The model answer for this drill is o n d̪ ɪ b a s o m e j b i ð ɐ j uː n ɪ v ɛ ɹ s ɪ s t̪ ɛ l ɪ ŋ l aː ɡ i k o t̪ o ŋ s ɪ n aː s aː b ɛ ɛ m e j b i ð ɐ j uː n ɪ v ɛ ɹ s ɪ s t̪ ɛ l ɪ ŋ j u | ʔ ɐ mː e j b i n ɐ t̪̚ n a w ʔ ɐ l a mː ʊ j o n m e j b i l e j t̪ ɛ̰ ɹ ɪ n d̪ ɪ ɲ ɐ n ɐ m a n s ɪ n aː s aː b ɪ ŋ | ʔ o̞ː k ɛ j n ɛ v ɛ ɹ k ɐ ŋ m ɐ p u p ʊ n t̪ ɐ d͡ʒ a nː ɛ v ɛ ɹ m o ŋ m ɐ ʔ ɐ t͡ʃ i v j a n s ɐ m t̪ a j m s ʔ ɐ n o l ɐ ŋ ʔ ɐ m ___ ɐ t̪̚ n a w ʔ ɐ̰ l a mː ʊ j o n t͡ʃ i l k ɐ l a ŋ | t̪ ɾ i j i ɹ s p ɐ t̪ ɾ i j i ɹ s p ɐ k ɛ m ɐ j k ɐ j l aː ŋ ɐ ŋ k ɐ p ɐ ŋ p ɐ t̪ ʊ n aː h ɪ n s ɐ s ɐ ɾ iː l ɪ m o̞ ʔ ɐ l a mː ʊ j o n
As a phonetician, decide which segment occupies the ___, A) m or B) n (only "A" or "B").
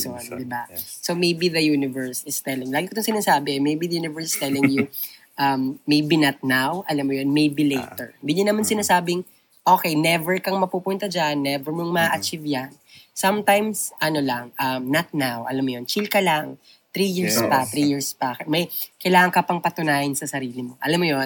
B